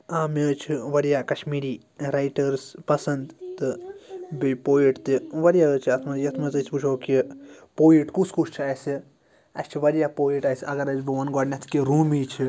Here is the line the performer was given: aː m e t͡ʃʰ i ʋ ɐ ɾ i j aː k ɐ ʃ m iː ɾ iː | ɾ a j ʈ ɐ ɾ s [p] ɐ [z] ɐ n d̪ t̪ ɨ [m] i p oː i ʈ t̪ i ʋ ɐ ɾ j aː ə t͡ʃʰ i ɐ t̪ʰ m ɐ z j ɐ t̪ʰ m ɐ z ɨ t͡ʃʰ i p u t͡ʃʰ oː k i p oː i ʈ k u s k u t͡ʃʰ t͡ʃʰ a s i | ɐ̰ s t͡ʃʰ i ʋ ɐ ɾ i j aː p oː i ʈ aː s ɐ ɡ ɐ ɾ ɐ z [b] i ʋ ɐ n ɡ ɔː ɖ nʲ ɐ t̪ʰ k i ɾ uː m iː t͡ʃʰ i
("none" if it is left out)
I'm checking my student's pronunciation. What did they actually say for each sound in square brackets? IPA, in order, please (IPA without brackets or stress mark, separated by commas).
p, s, b, b